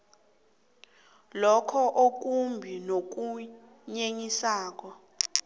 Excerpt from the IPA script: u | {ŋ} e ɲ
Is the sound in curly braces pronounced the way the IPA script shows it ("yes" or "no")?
no